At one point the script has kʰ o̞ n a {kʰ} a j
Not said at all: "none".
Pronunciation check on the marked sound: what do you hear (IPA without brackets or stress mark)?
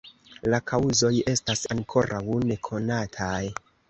tʰ